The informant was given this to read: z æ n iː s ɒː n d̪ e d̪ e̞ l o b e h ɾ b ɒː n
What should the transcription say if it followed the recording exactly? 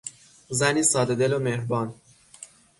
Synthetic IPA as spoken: z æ n iː s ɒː d̪ e d̪ e̞ l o m e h ɾ b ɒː n